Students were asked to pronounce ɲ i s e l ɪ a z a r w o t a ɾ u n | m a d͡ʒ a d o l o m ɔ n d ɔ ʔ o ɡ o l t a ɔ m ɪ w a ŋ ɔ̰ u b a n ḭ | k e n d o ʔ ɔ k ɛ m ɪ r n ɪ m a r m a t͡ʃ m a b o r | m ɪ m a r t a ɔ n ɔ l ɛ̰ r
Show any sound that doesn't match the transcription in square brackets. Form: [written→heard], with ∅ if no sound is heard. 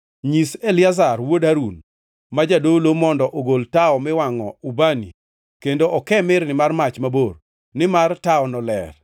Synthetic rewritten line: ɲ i s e l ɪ a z a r w o [t→d] a ɾ u n | m a d͡ʒ a d o l o m ɔ n d ɔ ʔ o ɡ o l t a ɔ m ɪ w a ŋ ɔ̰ u b a n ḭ | k e n d o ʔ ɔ k ɛ m ɪ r n ɪ m a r m a t͡ʃ m a b o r | [m→n] ɪ m a r t a ɔ n ɔ l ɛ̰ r